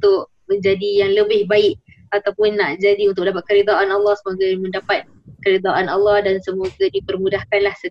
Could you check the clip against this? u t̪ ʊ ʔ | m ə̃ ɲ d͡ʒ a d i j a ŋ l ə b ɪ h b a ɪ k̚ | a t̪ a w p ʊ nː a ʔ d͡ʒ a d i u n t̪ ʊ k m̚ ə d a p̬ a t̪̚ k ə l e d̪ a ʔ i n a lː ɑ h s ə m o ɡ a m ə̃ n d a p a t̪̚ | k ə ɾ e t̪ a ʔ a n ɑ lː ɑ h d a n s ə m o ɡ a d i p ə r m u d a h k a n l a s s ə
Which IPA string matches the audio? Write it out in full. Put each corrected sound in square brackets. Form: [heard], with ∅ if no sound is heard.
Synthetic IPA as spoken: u t̪ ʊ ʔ | m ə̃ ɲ d͡ʒ a d i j a ŋ l ə b ɪ h b a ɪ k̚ | a t̪ a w p ʊ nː a ʔ d͡ʒ a d i u n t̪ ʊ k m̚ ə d a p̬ a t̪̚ k ə [ɾ] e d̪ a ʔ [a] n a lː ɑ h s ə m o ɡ a m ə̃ n d a p a t̪̚ | k ə ɾ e [d̪] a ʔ a n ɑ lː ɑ h d a n s ə m o ɡ a d i p ə r m u d a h k a n l a [h] s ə